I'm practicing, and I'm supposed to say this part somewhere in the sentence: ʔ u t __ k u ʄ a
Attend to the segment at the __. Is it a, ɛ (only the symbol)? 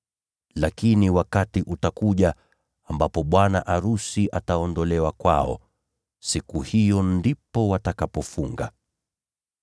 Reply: a